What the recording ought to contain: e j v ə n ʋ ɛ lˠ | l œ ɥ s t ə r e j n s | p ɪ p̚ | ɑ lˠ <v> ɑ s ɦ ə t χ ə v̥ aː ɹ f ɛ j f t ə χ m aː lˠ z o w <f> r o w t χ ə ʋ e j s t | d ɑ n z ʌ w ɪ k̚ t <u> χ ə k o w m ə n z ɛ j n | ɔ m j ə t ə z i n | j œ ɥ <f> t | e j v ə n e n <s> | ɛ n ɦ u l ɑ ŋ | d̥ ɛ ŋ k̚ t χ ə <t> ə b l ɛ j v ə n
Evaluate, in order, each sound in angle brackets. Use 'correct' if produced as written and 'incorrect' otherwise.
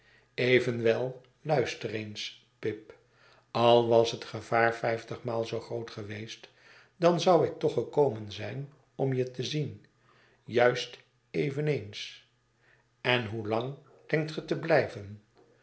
incorrect, incorrect, incorrect, incorrect, correct, correct

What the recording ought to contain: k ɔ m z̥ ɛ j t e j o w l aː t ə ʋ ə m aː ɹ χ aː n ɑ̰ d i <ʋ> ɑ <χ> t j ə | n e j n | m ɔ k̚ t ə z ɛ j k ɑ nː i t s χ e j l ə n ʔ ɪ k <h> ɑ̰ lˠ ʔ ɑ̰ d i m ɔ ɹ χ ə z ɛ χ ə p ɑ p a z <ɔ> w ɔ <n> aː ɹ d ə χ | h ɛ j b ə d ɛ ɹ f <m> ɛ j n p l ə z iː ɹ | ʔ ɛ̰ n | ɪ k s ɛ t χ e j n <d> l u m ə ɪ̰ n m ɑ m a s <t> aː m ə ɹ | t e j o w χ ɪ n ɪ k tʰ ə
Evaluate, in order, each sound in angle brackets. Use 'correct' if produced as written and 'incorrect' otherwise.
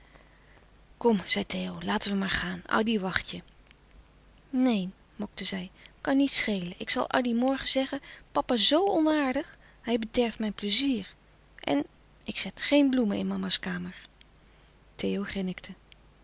correct, correct, incorrect, incorrect, correct, correct, incorrect, incorrect

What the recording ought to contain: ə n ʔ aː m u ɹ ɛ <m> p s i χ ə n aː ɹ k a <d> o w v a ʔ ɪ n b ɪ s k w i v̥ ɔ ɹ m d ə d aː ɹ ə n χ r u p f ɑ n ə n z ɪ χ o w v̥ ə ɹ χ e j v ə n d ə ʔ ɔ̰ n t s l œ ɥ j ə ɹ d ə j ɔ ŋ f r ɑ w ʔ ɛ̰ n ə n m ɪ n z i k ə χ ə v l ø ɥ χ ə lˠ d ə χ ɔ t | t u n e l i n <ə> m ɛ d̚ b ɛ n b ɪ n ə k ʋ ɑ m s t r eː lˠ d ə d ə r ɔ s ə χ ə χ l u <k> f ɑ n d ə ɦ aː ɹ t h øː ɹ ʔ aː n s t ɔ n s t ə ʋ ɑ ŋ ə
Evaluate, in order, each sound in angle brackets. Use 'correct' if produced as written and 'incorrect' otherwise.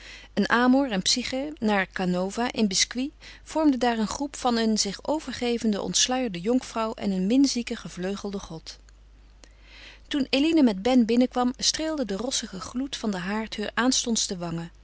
incorrect, incorrect, correct, incorrect

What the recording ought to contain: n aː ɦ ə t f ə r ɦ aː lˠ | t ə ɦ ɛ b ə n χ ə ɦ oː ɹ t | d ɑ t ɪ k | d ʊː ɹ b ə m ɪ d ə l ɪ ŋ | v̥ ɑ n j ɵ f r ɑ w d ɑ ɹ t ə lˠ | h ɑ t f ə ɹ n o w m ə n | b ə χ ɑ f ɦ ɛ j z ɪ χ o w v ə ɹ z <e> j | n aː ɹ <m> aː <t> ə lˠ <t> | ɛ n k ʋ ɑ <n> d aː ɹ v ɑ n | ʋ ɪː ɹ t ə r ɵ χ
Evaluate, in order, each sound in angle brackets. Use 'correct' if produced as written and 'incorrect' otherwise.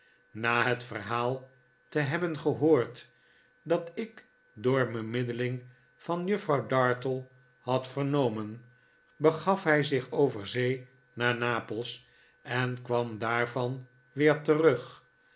correct, incorrect, incorrect, incorrect, incorrect

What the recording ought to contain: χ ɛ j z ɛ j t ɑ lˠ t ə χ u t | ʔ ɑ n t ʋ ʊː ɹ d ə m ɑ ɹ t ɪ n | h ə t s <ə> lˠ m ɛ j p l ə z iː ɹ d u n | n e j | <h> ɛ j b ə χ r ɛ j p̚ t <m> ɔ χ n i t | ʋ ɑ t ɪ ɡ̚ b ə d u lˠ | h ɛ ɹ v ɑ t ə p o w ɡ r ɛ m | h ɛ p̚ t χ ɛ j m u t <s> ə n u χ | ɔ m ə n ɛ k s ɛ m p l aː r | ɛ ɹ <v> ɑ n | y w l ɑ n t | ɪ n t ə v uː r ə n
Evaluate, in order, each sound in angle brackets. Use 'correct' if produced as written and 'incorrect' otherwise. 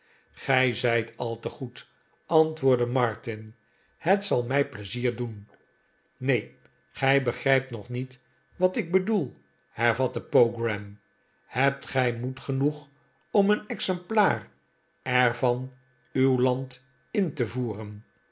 incorrect, incorrect, incorrect, incorrect, correct

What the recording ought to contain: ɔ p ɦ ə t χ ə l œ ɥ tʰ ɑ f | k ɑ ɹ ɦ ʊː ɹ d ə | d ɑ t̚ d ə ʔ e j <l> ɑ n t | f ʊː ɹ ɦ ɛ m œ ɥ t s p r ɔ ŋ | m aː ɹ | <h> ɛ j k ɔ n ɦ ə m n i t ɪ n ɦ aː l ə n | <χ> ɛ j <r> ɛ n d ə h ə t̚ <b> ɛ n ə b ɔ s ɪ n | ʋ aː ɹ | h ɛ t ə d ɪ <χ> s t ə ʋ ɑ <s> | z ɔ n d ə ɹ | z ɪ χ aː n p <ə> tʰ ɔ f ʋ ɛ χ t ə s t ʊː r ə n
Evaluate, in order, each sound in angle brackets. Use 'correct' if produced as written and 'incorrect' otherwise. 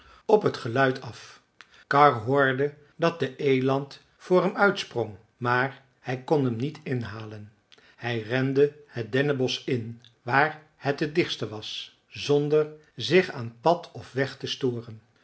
correct, correct, incorrect, correct, incorrect, correct, correct, incorrect

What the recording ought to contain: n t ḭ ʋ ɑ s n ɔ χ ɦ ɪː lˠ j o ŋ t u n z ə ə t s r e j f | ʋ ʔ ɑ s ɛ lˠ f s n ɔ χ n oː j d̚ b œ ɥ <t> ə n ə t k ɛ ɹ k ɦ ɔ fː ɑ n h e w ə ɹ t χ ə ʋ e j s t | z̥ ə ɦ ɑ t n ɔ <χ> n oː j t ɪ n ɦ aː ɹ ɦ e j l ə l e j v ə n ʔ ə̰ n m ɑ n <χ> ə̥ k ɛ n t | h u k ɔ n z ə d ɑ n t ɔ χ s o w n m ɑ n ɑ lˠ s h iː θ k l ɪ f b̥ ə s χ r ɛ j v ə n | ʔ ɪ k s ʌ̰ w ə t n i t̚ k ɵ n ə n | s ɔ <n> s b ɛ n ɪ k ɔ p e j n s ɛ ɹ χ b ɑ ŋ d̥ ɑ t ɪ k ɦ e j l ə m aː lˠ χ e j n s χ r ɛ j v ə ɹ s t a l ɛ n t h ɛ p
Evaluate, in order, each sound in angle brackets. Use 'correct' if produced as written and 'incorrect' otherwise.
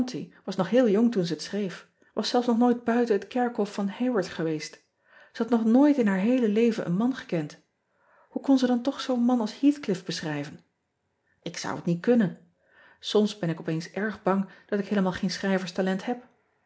correct, correct, correct, incorrect

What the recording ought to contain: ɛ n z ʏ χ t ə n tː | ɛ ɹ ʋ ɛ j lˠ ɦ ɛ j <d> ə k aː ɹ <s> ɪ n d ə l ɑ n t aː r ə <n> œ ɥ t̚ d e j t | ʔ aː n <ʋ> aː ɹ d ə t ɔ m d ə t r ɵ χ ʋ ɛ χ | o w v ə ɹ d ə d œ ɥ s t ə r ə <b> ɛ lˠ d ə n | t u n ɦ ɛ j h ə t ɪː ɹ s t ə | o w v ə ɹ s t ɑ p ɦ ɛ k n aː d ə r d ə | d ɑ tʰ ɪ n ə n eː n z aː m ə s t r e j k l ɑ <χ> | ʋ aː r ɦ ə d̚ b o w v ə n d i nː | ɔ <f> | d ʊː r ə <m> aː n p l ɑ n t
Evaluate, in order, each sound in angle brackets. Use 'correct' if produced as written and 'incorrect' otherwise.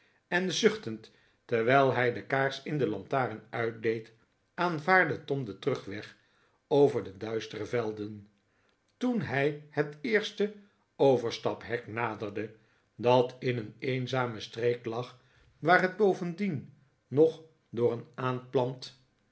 correct, correct, correct, incorrect, incorrect, correct, incorrect, incorrect

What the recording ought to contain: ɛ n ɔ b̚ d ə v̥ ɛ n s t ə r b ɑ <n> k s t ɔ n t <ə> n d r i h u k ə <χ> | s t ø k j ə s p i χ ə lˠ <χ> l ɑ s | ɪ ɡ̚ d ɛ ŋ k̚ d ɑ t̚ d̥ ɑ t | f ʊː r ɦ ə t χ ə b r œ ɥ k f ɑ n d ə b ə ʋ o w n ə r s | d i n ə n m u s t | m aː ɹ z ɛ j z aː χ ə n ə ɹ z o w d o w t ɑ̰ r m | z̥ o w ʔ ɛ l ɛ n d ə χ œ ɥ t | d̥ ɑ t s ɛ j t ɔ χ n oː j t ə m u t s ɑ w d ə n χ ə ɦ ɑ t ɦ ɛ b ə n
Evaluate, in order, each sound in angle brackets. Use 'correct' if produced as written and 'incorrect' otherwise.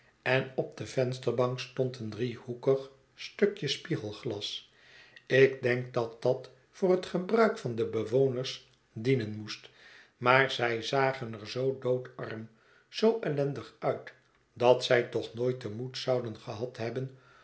incorrect, correct, correct, correct

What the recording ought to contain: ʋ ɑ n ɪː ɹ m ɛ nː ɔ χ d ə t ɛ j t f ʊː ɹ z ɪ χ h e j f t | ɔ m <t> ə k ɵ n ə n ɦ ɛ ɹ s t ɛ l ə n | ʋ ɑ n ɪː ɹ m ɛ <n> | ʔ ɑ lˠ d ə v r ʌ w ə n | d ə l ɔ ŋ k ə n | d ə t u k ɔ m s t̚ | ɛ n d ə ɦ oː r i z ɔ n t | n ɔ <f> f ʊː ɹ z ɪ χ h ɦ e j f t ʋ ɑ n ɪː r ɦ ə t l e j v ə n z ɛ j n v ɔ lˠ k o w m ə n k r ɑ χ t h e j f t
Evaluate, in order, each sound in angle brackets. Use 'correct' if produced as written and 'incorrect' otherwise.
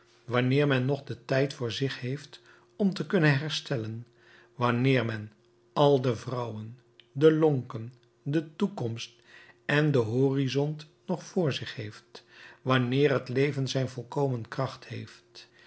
correct, correct, incorrect

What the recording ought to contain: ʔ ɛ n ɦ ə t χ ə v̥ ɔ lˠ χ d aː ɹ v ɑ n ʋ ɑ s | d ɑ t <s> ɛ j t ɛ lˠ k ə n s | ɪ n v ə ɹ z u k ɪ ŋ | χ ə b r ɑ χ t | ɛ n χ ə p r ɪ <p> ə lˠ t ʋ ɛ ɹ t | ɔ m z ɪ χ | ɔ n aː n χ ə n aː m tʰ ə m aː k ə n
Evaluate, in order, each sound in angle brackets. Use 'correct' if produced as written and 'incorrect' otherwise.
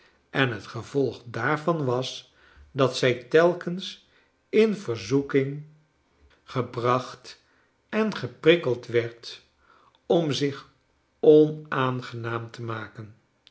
correct, incorrect

